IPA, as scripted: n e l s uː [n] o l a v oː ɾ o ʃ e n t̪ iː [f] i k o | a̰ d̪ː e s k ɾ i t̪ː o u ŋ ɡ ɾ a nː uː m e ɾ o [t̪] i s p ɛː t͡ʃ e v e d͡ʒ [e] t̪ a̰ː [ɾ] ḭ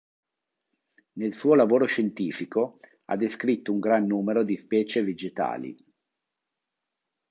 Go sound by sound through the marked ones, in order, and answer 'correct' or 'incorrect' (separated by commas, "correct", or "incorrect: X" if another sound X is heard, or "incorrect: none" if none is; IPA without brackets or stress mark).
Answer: incorrect: none, correct, incorrect: d̪, correct, incorrect: l